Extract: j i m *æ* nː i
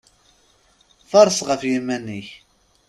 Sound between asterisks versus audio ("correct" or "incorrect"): correct